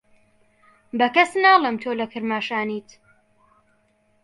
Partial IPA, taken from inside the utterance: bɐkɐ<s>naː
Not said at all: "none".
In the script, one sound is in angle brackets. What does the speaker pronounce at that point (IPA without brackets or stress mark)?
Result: s